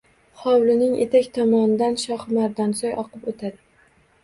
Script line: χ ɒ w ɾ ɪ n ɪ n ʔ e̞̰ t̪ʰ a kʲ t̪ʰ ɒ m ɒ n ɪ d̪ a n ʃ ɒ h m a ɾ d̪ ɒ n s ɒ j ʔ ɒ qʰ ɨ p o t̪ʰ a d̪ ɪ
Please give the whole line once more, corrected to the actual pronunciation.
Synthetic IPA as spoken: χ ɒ w l ɪ n ɪ ŋ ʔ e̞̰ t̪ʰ a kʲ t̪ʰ ɒ m ɒ n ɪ d̪ a n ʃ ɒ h m a ɾ d̪ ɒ n s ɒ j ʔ ɒ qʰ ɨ p o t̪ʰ a d̪ ɪ

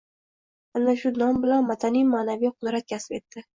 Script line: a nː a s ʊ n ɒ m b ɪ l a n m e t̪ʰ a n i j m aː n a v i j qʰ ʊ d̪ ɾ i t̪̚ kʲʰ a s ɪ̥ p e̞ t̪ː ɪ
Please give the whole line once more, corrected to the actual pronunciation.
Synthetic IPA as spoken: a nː a ʃ ʊ n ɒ m b ɪ l a n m a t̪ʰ a n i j m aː n a v i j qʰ ʊ d̪ ɾ a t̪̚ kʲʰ a s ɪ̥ p e̞ t̪ː ɪ

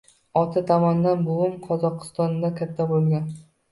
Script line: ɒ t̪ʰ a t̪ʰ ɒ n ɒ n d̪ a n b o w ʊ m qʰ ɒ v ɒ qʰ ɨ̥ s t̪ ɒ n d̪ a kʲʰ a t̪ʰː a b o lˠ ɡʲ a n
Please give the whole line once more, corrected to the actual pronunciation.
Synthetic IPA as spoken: ɒ t̪ʰ a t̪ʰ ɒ m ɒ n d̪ a n b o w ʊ m qʰ ɒ z ɒ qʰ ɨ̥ s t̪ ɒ n d̪ a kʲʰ a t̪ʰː a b o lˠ ɡʲ a n

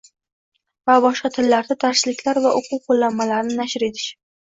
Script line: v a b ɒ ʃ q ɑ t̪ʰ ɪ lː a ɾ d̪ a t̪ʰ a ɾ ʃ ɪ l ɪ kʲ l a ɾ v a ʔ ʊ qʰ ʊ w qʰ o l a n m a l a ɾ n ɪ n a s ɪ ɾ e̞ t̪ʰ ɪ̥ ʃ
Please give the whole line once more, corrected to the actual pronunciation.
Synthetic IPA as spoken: v a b ɒ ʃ q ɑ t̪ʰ ɪ lː a ɾ d̪ a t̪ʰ a ɾ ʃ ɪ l ɪ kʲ l a ɾ v a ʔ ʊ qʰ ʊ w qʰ o lː a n m a l a ɾ n ɪ n a ʃ ɪ ɾ e̞ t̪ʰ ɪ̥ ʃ

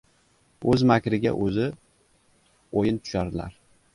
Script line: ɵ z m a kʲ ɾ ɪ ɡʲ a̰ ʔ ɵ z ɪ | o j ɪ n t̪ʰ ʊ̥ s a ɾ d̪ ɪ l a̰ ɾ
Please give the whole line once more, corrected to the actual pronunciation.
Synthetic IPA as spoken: ɵ z m a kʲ ɾ ɪ ɡʲ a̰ ʔ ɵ z ɪ | o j ɪ n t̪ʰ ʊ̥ ʃ a ɾ d̪ ɪ l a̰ ɾ

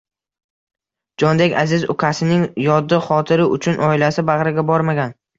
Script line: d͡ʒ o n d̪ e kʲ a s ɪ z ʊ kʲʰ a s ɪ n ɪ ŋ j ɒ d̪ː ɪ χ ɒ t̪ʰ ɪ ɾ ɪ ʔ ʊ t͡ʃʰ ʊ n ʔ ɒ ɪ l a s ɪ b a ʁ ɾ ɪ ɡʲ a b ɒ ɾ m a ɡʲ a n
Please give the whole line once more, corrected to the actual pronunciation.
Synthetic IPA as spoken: d͡ʒ ɒ n d̪ e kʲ a z ɪ z ʊ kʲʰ a s ɪ n ɪ ŋ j ɒ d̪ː ɪ χ ɒ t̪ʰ ɪ ɾ ɪ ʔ ʊ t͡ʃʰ ʊ n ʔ ɒ ɪ l a s ɪ b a ʁ ɾ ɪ ɡʲ a b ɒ ɾ m a ɡʲ a n

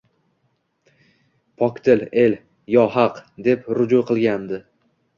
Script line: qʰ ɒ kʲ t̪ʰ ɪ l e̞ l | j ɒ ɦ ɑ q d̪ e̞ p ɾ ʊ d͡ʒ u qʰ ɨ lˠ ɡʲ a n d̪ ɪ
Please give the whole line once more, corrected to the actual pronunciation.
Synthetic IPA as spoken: pʰ ɒ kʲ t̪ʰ ɪ l e̞ l | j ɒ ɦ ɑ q d̪ e̞ p ɾ ʊ d͡ʒ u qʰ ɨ lˠ ɡʲ a n d̪ ɪ

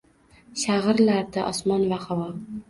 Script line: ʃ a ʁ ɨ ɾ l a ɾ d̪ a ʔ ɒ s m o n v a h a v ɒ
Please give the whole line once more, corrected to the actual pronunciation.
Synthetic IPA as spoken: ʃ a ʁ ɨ ɾ l a ɾ d̪ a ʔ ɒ s m ɒ n v a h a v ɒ

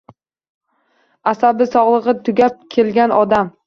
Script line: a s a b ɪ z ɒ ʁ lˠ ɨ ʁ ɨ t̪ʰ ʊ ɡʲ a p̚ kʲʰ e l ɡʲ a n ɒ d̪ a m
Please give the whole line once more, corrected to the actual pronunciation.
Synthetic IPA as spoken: a s a b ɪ s ɒ ʁ lˠ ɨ ʁ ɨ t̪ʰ ʊ ɡʲ a p̚ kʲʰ e l ɡʲ a n ɒ d̪ a m

